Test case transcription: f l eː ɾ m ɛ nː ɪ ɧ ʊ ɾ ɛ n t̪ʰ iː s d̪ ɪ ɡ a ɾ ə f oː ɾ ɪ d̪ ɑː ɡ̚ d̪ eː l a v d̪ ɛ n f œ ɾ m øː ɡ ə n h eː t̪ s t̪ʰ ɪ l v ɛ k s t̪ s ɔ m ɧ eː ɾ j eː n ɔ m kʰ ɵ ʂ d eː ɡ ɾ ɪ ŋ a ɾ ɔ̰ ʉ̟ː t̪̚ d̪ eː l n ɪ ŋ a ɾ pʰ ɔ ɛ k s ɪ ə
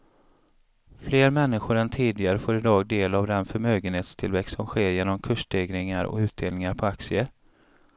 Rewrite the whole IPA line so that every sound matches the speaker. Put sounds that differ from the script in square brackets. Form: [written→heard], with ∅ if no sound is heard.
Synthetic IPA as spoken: f l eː ɾ m ɛ nː ɪ ɧ ʊ ɾ ɛ n t̪ʰ iː [s→∅] d̪ ɪ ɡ a ɾ ə f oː ɾ ɪ d̪ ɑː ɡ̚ d̪ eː l a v d̪ ɛ n f œ ɾ m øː ɡ ə n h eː t̪ s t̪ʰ ɪ l v ɛ k s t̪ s ɔ m ɧ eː ɾ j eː n ɔ m kʰ ɵ ʂ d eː ɡ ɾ ɪ ŋ a ɾ ɔ̰ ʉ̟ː t̪̚ d̪ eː l n ɪ ŋ a ɾ pʰ ɔ [ɛ→a] k s ɪ ə